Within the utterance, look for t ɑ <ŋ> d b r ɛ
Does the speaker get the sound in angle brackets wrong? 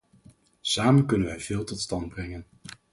yes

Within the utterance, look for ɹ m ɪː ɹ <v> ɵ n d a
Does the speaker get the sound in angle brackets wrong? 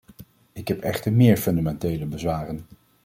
yes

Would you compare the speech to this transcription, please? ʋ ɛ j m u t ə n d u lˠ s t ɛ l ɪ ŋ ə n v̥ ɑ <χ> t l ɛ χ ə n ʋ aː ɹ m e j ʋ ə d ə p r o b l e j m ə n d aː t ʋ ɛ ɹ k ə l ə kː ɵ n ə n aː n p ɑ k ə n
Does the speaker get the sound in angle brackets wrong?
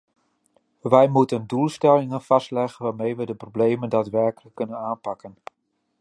yes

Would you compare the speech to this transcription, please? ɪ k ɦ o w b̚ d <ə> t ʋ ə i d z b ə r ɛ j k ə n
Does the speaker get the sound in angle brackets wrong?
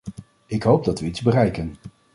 yes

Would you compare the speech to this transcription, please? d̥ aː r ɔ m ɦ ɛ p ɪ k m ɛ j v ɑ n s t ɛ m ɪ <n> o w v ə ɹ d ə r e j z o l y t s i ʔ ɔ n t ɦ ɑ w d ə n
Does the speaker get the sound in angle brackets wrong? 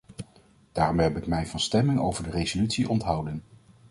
yes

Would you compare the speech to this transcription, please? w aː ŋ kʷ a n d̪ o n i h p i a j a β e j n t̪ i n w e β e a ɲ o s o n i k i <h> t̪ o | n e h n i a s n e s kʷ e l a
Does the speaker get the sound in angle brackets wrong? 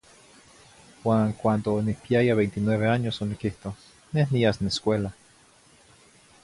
no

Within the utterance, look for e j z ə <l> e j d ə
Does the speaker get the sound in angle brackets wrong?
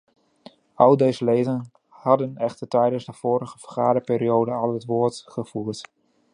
no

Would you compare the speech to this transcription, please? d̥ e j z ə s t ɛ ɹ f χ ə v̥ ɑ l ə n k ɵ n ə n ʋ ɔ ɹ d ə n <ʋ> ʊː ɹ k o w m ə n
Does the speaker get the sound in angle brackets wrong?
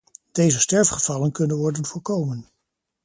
yes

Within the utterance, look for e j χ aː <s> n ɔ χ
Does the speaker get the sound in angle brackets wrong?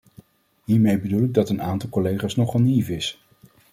no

